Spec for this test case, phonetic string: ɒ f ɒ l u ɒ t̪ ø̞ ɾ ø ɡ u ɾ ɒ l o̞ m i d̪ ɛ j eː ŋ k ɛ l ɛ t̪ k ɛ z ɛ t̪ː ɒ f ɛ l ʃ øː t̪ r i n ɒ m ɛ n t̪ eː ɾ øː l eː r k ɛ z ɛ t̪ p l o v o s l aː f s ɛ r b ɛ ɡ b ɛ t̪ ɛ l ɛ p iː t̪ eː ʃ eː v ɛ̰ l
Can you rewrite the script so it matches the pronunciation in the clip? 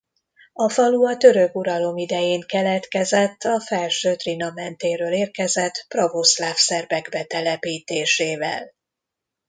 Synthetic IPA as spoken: ɒ f ɒ l u ɒ t̪ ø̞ ɾ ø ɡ u ɾ ɒ l o̞ m i d̪ ɛ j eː ŋ k ɛ l ɛ t̪ k ɛ z ɛ t̪ː ɒ f ɛ l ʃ øː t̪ r i n ɒ m ɛ n t̪ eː ɾ øː l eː r k ɛ z ɛ t̪ p r o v o s l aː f s ɛ r b ɛ ɡ b ɛ t̪ ɛ l ɛ p iː t̪ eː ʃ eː v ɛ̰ l